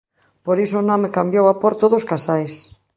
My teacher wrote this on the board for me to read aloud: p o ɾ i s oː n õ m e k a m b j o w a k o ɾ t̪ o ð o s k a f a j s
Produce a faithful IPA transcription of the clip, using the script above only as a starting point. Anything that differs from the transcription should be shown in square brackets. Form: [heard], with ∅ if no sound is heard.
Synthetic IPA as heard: p o ɾ i s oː n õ m e k a m b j o w a [p] o ɾ t̪ o ð o s k a [s] a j s